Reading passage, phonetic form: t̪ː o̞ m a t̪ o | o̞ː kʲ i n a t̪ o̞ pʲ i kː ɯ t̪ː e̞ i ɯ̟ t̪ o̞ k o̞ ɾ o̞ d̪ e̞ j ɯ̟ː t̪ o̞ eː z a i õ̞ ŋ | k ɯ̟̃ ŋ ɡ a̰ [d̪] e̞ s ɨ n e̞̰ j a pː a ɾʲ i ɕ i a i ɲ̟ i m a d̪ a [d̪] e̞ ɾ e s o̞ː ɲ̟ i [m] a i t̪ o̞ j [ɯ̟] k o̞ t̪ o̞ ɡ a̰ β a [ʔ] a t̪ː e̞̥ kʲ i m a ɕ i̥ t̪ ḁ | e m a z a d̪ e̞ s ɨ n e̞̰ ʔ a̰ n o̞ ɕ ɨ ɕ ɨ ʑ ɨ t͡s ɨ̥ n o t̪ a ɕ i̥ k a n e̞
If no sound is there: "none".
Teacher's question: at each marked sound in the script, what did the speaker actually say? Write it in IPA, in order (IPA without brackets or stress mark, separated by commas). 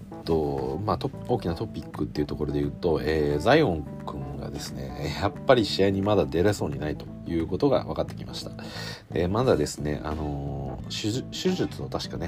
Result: d̪, d̪, n, ɯ̟ː, k